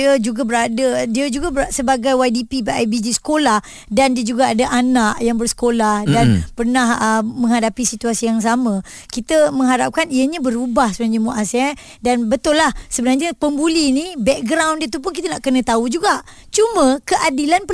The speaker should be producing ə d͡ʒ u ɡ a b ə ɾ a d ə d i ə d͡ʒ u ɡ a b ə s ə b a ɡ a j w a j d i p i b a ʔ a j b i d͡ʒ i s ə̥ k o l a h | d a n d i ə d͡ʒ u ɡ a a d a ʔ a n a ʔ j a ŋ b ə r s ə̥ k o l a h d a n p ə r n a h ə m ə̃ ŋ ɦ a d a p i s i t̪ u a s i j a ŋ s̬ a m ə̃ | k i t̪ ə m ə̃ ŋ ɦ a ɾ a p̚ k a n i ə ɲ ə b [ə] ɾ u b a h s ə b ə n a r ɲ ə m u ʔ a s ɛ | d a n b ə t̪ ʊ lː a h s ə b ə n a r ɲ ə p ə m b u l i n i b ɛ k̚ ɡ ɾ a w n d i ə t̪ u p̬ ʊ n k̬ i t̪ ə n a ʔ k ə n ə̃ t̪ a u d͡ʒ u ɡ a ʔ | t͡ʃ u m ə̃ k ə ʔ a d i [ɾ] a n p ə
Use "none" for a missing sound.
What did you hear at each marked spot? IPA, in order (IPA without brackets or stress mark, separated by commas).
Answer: ə, l